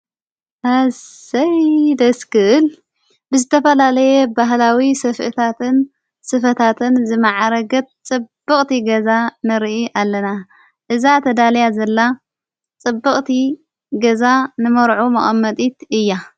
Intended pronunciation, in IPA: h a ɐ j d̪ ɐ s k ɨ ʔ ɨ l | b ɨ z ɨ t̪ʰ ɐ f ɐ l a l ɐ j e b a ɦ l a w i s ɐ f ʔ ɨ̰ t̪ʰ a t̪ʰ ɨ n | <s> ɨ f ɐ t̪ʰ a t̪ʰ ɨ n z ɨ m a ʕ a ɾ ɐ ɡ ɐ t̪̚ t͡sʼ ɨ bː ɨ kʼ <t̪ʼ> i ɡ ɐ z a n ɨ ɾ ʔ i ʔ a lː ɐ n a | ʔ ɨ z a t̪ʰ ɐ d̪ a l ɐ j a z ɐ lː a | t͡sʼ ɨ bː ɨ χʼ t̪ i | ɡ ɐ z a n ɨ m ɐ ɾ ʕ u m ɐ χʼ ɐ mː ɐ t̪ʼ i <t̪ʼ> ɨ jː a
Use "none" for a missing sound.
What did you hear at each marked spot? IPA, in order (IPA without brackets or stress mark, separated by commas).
s, t̪, t̪